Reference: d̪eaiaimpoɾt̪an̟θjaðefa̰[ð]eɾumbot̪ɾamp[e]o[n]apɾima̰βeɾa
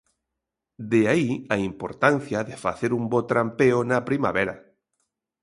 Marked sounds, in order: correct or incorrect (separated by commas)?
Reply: incorrect, correct, correct